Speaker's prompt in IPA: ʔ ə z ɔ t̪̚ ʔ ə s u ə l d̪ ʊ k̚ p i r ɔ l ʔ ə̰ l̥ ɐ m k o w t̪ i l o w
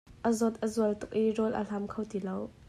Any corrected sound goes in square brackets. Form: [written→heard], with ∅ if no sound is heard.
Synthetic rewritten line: ʔ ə z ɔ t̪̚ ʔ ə [s→z] u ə l [d̪→t̪] ʊ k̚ [p→ʔ] i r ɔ l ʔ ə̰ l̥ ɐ m [k→kʰ] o w t̪ i l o w